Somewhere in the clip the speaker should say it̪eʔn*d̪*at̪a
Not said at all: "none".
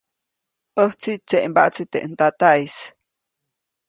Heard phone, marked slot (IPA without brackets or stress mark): t̪